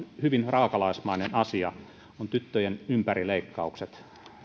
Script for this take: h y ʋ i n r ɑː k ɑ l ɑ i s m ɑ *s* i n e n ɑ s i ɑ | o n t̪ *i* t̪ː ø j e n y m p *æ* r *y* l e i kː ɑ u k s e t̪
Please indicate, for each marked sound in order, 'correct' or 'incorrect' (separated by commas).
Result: incorrect, incorrect, correct, incorrect